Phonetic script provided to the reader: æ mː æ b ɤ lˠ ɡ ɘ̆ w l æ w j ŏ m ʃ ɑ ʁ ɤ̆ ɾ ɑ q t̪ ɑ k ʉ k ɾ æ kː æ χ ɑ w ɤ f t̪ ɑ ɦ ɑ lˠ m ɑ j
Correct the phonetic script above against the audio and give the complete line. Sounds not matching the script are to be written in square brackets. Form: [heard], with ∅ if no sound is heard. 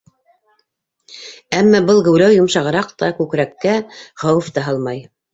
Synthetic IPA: æ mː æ b ɤ lˠ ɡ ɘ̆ w l æ w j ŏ m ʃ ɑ ʁ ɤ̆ ɾ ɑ q t̪ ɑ k ʉ k ɾ æ kː æ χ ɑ w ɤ f t̪ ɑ ɦ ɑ lˠ m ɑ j